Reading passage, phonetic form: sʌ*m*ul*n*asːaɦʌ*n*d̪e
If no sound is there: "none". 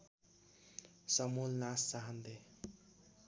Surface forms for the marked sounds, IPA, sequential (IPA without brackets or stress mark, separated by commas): m, n, n